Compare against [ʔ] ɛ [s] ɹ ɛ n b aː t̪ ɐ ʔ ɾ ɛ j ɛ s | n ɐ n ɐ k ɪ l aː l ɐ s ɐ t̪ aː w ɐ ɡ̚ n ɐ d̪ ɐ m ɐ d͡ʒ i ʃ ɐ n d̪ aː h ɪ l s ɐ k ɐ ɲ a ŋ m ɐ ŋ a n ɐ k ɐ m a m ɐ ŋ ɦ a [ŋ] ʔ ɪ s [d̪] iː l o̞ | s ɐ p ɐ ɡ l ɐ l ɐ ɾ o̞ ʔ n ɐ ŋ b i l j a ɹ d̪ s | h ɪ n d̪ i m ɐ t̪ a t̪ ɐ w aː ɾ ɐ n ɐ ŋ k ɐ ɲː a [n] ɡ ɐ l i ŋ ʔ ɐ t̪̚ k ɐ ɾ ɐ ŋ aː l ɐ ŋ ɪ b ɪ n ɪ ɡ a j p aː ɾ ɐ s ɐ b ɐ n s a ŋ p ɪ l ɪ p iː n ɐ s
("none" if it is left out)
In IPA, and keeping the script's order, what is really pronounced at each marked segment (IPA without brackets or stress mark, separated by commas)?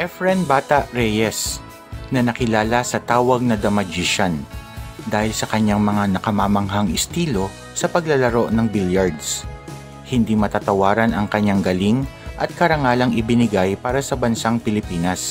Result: ʔ, f, ŋ, t̪, ŋ